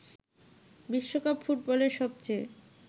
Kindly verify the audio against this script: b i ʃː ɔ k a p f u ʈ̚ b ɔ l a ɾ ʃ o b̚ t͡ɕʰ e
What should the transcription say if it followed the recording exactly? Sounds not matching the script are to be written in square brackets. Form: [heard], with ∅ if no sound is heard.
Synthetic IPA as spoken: b i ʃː [o] k a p f u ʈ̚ b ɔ l [e] ɾ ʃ [ɔ] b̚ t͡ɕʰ e